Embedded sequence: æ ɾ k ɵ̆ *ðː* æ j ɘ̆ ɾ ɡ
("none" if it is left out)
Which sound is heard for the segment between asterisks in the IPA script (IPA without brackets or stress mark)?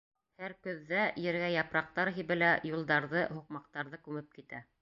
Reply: ðː